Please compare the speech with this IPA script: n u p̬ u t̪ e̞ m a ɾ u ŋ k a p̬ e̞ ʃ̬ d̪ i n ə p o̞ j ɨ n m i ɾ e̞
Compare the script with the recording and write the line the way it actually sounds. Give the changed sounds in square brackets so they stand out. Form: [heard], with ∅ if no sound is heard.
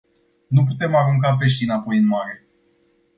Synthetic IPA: n u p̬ u t̪ e̞ m a ɾ u ŋ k a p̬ e̞ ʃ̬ [t̪] i n [a] p o̞ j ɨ n m [a] ɾ e̞